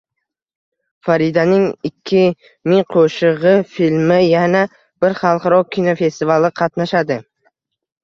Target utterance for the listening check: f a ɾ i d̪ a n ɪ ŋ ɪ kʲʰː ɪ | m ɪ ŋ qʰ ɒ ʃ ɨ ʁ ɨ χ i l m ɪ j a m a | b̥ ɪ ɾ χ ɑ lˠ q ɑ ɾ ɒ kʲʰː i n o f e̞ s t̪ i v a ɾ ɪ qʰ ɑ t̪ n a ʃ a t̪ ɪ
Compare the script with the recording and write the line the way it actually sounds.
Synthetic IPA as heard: f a ɾ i d̪ a n ɪ ŋ ɪ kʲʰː ɪ | m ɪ ŋ qʰ o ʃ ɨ ʁ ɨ f i l m ɪ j a n a | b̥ ɪ ɾ χ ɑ lˠ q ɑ ɾ ɒ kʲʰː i n o f e̞ s t̪ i v a l ɪ qʰ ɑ t̪ n a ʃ a d̪ ɪ